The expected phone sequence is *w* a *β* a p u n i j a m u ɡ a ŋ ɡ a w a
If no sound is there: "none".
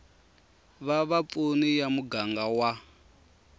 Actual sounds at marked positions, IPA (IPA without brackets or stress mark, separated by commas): β, β